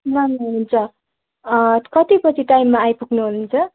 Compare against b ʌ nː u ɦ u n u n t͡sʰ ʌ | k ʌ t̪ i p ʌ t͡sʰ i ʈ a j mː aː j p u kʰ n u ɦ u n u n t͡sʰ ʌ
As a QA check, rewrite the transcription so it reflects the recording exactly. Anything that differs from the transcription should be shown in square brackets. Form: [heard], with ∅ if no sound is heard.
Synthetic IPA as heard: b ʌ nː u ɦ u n u n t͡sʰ ʌ | k ʌ t̪ i p ʌ t͡sʰ i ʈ a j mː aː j p u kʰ n u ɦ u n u n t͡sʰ ʌ

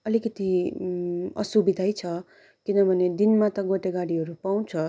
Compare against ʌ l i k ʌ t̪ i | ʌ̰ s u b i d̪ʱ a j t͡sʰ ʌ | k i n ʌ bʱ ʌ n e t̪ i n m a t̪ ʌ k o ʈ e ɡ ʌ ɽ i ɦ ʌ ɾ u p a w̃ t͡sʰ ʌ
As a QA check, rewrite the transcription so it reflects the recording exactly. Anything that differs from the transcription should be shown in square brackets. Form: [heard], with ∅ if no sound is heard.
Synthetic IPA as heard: ʌ l i k ʌ t̪ i | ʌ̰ s u b i d̪ʱ a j t͡sʰ ʌ | k i n ʌ bʱ ʌ n e [d̪] i n m a t̪ ʌ [ɡ] o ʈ e ɡ [a] ɽ i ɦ ʌ ɾ u p a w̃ t͡sʰ ʌ

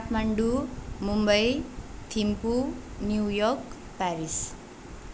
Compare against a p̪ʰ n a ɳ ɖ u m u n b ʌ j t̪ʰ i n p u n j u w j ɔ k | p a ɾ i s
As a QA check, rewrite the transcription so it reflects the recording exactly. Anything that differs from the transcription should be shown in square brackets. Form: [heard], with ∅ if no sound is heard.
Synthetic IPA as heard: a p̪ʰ [m] a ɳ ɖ u m u [m] b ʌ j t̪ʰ i [m] p u n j u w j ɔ k | p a ɾ i s

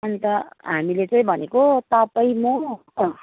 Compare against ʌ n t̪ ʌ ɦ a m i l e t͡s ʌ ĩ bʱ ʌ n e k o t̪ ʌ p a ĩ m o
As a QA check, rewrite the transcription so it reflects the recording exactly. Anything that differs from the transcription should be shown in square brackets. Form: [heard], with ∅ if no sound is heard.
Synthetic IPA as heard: ʌ n t̪ ʌ ɦ a m i l e t͡s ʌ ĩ bʱ ʌ n e k o t̪ ʌ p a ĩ m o

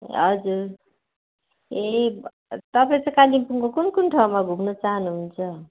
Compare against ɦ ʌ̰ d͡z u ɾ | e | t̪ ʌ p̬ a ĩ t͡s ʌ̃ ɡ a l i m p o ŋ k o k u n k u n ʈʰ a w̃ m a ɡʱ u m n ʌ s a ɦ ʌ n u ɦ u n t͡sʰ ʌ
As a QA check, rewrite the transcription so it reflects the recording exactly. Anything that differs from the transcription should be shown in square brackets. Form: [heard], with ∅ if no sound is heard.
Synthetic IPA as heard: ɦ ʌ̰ d͡z u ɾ | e | t̪ ʌ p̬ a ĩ t͡s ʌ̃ [k] a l i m p [u] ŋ k o k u n k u n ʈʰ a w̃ m a ɡʱ u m n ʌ [t͡s] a ɦ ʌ n u ɦ u n t͡sʰ ʌ

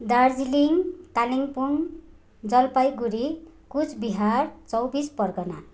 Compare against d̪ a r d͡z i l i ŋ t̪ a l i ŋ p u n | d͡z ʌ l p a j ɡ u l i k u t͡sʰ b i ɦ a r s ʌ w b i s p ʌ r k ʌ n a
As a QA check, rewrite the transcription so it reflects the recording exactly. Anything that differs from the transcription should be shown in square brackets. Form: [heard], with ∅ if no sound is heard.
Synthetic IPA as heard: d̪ a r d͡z i l i ŋ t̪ a l i ŋ p u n | d͡z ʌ l p a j ɡ u [ɾ] i k u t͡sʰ b i ɦ a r [t͡s] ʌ w b i s p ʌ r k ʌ n a

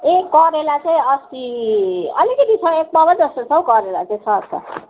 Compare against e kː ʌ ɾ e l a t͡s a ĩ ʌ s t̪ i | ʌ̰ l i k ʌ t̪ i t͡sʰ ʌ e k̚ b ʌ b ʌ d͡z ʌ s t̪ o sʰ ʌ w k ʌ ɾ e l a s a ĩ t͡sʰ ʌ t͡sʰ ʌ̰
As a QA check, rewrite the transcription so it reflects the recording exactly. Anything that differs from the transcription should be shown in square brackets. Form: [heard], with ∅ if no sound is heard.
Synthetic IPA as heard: e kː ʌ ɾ e l a t͡s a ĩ ʌ s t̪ i | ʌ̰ l i k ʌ t̪ i t͡sʰ ʌ e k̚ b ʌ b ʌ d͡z ʌ s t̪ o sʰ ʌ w k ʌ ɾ e l a [t͡s] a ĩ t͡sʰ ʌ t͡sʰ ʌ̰

